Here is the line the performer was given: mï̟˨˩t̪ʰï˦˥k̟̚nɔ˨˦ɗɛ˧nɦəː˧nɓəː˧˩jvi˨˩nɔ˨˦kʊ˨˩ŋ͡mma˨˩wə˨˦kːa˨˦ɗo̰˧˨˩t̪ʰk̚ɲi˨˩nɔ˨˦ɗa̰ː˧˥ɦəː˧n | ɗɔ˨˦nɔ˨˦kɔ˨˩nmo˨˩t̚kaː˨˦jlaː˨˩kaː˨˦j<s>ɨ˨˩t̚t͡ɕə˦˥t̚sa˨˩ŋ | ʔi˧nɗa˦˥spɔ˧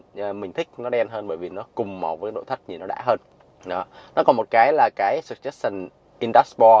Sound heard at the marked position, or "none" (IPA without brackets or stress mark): s